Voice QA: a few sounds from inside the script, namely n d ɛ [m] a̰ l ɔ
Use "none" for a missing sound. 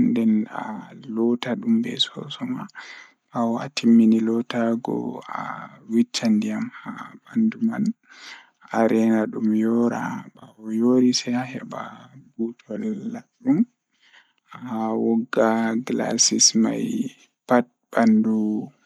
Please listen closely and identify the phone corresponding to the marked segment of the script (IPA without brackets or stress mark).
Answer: n